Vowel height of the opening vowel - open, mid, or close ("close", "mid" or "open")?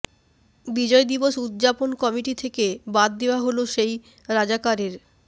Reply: close